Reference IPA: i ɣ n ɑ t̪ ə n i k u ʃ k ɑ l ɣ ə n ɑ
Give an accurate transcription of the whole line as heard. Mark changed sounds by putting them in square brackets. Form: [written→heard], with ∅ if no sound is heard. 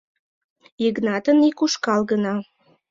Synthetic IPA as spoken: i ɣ n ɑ t̪ ə n i k u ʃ k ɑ l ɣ ə n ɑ